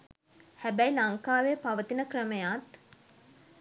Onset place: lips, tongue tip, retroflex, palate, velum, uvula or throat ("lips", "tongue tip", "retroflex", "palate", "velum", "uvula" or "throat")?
throat